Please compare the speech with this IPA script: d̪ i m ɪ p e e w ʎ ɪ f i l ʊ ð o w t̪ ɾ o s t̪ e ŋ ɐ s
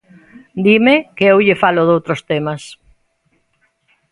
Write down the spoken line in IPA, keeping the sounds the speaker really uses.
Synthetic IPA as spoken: d̪ i m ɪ k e e w ʎ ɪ f a l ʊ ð o w t̪ ɾ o s t̪ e m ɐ s